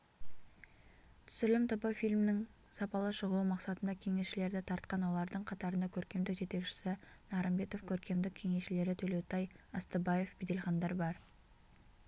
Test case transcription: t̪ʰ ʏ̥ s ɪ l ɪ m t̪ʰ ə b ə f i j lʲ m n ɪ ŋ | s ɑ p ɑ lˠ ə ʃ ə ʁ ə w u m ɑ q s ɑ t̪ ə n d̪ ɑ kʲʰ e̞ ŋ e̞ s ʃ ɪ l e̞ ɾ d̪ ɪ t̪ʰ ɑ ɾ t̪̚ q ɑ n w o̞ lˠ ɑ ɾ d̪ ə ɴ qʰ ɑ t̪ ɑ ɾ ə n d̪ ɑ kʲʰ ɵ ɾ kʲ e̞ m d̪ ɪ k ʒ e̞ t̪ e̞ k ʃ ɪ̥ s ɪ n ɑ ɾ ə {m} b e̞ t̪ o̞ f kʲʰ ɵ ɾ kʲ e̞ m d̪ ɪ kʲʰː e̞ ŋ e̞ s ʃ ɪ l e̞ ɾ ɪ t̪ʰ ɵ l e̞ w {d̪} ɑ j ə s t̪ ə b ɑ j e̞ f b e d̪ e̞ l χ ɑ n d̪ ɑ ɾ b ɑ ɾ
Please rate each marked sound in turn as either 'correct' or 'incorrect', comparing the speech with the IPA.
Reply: correct, incorrect

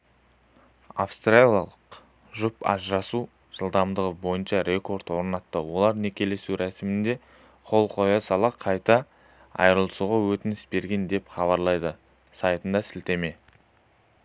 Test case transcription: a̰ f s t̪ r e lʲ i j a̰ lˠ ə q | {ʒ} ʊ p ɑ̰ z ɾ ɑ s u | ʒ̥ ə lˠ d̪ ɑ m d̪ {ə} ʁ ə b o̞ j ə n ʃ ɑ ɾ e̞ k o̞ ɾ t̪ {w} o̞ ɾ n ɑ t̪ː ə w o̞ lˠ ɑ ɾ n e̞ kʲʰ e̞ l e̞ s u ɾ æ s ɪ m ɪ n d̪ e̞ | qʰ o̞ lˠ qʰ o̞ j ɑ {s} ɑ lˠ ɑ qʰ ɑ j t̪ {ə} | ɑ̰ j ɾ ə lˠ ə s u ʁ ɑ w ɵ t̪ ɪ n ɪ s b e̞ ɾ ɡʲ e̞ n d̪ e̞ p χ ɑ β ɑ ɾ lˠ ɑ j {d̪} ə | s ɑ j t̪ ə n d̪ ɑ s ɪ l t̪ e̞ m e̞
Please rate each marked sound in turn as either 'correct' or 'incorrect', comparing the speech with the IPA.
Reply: correct, correct, correct, correct, incorrect, correct

